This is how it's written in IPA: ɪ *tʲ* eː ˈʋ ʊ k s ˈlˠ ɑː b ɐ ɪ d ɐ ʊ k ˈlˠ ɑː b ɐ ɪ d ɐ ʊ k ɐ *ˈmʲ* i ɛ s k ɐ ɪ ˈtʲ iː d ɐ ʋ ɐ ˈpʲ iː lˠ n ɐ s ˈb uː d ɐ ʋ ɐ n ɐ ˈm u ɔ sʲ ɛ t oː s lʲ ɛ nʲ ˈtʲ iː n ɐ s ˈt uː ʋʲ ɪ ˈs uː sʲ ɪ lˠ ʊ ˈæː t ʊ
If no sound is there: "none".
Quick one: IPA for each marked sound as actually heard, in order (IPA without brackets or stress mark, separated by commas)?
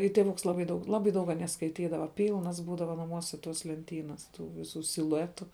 tʲ, nʲ